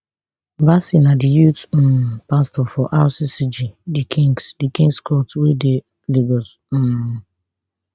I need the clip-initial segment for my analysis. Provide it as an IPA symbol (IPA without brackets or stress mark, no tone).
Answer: b